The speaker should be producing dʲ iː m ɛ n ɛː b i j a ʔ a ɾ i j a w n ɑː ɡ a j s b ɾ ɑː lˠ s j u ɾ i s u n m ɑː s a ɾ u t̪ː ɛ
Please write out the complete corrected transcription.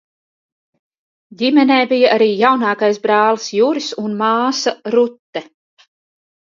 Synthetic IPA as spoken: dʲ i m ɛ n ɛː b i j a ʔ a ɾ iː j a w n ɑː k a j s b ɾ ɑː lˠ s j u ɾ i s u n m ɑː s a ɾ u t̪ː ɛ